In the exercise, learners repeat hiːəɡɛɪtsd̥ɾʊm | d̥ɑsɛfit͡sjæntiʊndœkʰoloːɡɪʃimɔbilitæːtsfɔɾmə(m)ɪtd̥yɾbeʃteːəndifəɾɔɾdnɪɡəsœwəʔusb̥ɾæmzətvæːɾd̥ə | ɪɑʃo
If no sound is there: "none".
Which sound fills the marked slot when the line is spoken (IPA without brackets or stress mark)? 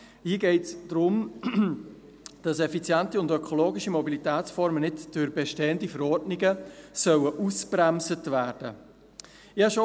n